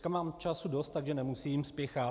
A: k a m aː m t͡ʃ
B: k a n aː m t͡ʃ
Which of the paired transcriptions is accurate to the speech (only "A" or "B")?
A